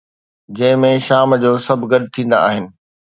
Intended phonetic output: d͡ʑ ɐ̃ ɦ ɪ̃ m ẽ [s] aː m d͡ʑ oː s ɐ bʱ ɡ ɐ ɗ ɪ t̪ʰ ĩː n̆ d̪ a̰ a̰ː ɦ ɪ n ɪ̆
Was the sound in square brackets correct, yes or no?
no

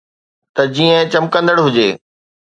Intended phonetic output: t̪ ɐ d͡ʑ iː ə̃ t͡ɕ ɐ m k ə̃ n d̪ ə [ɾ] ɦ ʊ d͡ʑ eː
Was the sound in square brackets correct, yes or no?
no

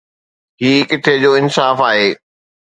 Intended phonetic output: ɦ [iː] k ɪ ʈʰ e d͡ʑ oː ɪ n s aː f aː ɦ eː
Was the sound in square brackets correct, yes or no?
yes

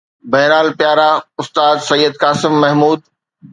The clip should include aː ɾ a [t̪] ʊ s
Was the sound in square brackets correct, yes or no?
no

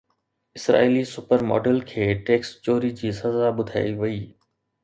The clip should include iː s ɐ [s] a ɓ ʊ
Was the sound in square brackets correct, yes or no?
no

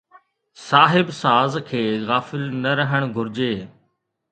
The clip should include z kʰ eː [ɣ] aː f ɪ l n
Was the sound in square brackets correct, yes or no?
yes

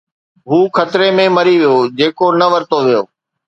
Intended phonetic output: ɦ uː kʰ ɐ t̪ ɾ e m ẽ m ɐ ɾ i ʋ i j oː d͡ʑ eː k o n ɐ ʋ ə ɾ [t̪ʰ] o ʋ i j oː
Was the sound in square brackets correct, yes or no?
no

